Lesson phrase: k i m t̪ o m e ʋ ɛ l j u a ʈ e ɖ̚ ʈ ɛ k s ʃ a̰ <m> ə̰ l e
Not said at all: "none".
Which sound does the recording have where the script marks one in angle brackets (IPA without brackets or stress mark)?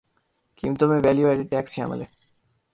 m